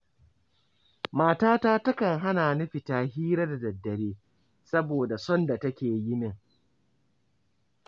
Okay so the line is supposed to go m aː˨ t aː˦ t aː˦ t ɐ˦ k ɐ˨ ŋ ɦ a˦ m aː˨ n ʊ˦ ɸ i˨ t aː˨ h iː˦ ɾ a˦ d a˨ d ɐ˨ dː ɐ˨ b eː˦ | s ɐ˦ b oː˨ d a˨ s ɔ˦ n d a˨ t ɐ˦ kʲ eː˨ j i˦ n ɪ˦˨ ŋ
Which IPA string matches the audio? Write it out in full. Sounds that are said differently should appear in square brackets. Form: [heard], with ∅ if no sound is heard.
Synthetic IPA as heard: m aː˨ t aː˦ t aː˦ t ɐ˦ k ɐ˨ ŋ ɦ a˦ [n] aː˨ n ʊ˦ ɸ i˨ t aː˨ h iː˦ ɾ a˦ d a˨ d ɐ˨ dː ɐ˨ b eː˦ | s ɐ˦ b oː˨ d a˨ s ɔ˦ n d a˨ t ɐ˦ kʲ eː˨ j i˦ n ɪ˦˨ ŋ